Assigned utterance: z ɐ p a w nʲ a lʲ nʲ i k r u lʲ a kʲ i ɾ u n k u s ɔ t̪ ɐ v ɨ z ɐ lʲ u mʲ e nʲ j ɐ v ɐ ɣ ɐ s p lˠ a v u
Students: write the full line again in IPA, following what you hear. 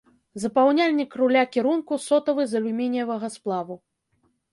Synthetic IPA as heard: z ɐ p a w nʲ a lʲ nʲ i k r u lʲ a kʲ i ɾ u n k u s ɔ t̪ ɐ v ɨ z ɐ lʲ u mʲ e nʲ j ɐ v ɐ ɣ ɐ s p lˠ a v u